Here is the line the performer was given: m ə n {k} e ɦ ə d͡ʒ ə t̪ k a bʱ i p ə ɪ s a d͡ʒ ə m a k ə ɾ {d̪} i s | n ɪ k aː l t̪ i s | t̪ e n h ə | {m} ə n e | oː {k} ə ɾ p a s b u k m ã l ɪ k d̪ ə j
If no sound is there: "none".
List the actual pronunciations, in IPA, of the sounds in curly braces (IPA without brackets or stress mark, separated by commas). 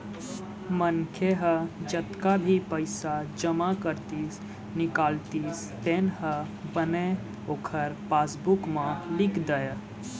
kʰ, t̪, b, kʰ